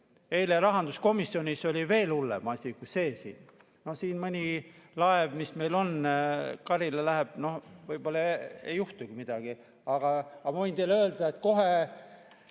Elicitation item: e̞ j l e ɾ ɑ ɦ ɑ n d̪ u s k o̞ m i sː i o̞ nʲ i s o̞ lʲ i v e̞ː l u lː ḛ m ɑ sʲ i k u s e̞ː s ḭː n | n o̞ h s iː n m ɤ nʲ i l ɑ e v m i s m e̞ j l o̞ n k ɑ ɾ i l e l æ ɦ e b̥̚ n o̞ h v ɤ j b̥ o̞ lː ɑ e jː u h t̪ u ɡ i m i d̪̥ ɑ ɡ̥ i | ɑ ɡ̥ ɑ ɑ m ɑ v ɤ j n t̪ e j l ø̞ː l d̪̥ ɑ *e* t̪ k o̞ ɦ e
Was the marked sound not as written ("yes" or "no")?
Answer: no